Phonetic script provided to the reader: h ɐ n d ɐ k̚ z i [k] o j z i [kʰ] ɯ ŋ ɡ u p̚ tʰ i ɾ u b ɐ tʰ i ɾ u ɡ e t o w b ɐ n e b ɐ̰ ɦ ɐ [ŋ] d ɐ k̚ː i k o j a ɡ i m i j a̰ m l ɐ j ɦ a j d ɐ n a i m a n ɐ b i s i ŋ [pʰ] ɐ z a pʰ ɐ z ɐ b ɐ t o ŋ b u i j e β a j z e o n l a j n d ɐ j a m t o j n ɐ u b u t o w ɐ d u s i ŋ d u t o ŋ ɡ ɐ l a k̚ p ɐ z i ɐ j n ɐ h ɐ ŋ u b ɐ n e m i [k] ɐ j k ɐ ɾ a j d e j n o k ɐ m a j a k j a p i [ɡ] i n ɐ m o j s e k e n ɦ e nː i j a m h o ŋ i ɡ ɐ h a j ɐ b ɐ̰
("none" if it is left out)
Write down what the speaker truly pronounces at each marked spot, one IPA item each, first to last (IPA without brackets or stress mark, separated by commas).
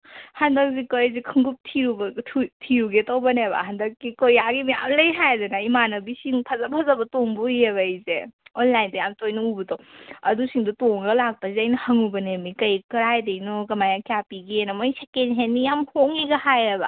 k, kʰ, n, pʰ, k, ɡ